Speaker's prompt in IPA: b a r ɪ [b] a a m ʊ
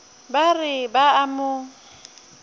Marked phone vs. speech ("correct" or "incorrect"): correct